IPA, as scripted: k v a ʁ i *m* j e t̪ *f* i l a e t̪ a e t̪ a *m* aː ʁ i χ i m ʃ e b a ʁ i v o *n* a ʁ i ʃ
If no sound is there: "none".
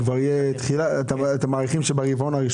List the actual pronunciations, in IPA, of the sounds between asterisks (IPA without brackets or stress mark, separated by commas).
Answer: none, χ, m, n